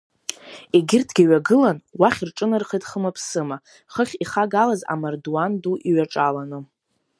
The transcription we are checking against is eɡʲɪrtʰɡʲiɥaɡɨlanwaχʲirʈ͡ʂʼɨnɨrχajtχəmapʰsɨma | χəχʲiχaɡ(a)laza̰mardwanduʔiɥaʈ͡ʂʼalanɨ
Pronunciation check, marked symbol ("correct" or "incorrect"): correct